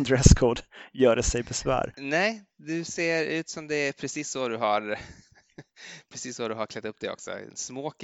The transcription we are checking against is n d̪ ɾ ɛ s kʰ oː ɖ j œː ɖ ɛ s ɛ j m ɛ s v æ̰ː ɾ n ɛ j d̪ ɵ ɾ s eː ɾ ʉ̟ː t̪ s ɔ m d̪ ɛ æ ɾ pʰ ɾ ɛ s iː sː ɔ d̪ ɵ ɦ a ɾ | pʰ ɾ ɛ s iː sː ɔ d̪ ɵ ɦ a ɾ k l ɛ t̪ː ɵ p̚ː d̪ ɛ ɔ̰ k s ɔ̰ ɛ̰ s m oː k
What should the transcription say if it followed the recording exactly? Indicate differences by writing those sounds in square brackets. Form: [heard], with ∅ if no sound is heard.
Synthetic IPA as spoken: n d̪ ɾ ɛ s kʰ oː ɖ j œː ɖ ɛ s ɛ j [b] ɛ s v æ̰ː ɾ n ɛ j d̪ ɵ [∅] s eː ɾ ʉ̟ː t̪ s ɔ m d̪ ɛ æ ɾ pʰ ɾ ɛ s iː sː ɔ d̪ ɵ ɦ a ɾ | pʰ ɾ ɛ s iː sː ɔ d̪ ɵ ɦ a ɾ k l ɛ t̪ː ɵ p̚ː d̪ ɛ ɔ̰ k s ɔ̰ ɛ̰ s m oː k